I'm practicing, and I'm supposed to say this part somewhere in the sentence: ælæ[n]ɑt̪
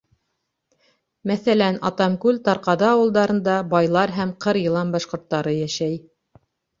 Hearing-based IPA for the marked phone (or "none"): n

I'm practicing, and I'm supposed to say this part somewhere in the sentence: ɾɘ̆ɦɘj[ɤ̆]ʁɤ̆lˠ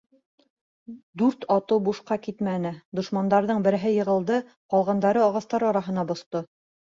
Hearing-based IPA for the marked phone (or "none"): ɤ̆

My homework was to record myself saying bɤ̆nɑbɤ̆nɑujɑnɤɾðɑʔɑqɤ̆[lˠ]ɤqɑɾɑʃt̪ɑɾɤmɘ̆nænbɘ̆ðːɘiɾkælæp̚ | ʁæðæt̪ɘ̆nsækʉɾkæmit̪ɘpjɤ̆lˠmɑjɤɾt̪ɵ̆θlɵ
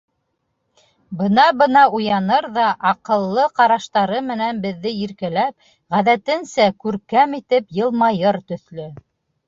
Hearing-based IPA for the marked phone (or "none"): lˠː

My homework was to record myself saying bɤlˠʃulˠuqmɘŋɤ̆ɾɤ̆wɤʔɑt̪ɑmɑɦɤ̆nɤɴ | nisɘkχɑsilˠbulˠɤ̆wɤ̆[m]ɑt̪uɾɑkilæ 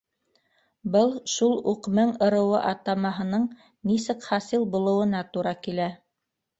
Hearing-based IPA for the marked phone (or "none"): n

